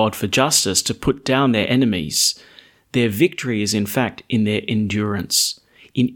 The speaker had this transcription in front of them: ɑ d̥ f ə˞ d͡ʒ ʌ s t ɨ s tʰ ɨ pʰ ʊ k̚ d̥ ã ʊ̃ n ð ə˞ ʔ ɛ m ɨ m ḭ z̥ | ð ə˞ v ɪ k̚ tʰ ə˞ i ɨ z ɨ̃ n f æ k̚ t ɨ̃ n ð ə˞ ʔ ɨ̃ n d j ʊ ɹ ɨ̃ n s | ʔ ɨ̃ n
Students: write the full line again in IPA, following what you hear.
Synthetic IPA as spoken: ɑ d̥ f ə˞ d͡ʒ ʌ s t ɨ s tʰ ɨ pʰ ʊ t̚ d̥ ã ʊ̃ n ð ə˞ ʔ ɛ n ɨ m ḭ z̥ | ð ə˞ v ɪ k̚ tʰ ə˞ i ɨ z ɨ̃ n f æ k̚ t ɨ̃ n ð ə˞ ʔ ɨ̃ n d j ʊ ɹ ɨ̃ n s | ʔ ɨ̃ n